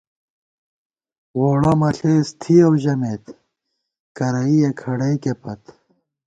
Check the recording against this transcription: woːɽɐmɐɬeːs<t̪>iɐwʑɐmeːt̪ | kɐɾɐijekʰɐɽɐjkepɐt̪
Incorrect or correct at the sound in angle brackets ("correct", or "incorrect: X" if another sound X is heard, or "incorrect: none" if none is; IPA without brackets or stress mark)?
incorrect: t̪ʰ